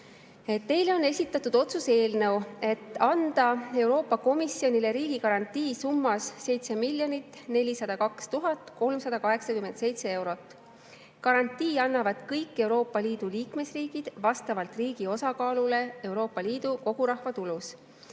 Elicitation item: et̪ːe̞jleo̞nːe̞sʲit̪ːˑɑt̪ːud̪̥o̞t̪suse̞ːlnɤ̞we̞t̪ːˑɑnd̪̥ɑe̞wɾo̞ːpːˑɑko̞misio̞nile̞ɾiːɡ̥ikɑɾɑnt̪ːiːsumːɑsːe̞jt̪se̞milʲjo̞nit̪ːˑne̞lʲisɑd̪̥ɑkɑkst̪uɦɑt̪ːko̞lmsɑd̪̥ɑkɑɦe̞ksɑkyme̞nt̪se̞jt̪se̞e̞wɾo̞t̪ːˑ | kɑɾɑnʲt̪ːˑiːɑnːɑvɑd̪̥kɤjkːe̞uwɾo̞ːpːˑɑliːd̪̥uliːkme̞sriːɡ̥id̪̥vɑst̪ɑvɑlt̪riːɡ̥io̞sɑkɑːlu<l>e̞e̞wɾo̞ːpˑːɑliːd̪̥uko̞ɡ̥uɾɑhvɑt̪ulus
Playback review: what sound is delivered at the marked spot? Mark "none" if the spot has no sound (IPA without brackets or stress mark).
l